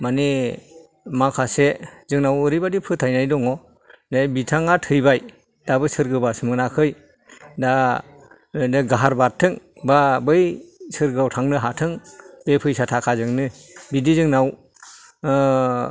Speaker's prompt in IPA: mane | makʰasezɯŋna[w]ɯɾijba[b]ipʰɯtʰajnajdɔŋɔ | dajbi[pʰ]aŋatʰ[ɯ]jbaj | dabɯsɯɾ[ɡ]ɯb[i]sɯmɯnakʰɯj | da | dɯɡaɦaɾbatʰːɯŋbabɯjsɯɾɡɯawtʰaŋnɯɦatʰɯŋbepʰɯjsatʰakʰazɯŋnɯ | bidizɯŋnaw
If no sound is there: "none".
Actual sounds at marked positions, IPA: w, d, tʰ, ɯ, ɡ, a

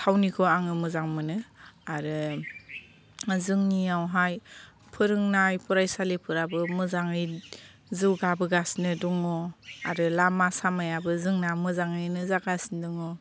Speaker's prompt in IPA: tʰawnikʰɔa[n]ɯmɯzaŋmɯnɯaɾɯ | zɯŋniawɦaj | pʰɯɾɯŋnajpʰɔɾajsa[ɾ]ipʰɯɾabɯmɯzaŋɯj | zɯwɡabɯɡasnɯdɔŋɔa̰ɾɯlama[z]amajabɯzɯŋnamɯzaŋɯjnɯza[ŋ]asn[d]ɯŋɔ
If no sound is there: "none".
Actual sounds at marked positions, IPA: ŋ, l, s, ɡ, d

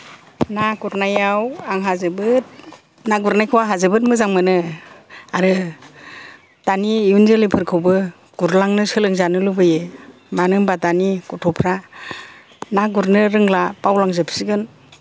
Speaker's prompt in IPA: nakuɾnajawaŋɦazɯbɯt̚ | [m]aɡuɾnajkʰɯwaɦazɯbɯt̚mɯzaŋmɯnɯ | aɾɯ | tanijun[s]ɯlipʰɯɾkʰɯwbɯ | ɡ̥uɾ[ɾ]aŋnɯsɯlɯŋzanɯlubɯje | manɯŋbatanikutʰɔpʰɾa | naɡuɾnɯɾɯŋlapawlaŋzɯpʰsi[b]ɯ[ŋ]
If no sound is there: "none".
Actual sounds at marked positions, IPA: n, z, l, ɡ, n

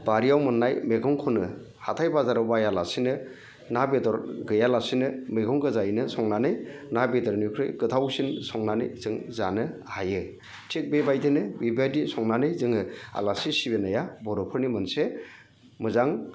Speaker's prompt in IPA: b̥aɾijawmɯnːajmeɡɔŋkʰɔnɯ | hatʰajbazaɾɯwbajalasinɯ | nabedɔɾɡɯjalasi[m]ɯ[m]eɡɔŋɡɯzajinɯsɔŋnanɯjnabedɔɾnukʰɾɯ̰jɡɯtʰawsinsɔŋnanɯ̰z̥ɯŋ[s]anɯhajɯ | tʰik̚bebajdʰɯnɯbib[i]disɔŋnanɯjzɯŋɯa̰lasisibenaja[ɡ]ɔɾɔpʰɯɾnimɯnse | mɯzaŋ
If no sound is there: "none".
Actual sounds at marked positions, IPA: n, m, z, a, b

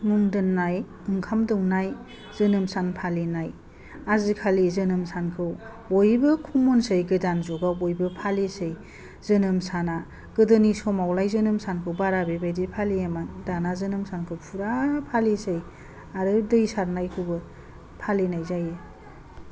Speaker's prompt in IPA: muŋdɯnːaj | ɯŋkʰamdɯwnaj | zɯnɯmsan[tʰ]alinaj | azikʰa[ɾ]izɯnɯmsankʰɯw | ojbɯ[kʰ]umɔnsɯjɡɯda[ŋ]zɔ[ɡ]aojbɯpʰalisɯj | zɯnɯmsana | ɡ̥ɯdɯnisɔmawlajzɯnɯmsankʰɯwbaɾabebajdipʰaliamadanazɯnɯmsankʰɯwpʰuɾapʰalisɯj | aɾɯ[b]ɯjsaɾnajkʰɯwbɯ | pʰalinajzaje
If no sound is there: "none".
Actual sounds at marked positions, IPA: pʰ, l, kʰ, n, ɡ, d

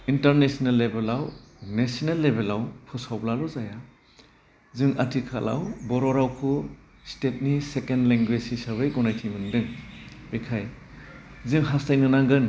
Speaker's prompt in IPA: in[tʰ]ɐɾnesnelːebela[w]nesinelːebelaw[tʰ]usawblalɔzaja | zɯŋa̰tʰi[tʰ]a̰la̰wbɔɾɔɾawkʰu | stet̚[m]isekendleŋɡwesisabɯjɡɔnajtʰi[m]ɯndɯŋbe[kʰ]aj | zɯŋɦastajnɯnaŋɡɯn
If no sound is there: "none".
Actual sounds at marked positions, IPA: t, w, pʰ, kʰ, n, m, kʰ

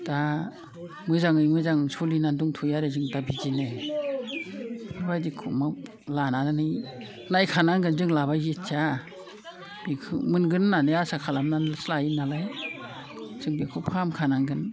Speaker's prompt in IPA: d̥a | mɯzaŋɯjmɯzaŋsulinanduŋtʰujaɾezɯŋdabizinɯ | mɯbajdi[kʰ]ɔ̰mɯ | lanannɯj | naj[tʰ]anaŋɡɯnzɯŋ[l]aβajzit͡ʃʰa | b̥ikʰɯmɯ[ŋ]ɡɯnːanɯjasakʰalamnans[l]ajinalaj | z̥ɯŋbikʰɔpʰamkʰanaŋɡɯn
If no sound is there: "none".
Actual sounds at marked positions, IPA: kʰ, kʰ, l, n, l

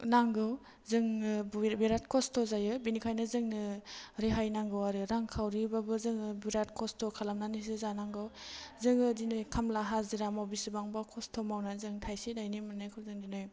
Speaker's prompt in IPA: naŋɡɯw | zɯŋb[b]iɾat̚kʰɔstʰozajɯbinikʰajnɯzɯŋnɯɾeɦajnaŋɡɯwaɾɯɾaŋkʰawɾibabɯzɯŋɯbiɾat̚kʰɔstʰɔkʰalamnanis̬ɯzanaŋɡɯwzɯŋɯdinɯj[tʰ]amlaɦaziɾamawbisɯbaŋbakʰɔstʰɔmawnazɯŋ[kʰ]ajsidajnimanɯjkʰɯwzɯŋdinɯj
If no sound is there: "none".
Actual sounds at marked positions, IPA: b, kʰ, tʰ

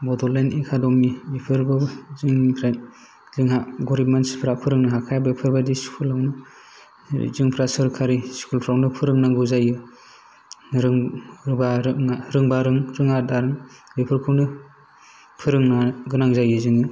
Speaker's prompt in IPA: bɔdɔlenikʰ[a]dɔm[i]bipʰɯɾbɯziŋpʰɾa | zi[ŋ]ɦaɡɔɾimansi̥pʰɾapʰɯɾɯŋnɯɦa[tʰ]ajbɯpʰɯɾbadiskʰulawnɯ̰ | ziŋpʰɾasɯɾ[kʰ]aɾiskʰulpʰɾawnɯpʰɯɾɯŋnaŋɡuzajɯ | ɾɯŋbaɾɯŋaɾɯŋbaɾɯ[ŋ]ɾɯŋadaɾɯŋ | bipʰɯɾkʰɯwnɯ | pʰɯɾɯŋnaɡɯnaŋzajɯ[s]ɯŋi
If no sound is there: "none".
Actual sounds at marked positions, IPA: a, i, ŋ, kʰ, kʰ, ŋ, z

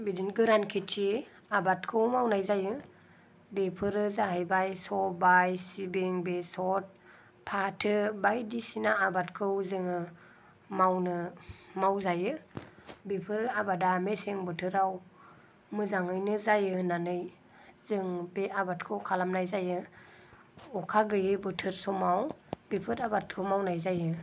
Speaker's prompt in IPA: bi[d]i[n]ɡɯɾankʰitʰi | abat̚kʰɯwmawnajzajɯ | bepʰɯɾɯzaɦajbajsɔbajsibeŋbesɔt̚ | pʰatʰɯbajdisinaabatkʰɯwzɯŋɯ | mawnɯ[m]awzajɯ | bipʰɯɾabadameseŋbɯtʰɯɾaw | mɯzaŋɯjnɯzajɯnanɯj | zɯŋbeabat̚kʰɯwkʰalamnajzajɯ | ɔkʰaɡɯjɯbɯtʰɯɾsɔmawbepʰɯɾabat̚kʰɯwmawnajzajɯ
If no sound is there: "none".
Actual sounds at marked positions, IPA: d, n, m

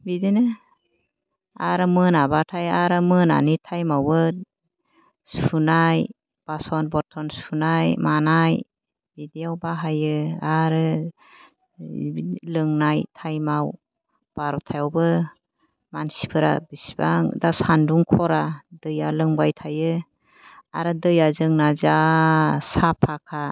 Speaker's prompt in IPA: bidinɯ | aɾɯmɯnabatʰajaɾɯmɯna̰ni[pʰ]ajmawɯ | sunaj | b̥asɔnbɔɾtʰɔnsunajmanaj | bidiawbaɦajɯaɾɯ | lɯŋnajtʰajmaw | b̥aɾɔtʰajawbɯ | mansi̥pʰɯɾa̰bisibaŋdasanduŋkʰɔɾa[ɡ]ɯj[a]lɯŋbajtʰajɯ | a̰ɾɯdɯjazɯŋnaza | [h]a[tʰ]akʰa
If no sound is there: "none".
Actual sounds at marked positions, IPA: tʰ, d, a, s, pʰ

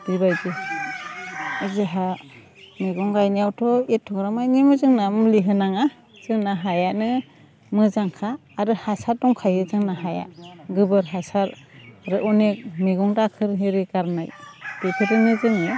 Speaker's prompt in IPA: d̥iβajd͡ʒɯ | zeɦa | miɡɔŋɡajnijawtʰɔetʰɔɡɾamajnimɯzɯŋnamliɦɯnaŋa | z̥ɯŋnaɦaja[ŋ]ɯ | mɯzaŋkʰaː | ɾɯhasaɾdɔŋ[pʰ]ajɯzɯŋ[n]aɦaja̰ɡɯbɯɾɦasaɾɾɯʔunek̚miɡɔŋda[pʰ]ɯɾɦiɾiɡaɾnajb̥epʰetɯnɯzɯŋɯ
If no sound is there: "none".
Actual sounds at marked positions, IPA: n, kʰ, n, kʰ

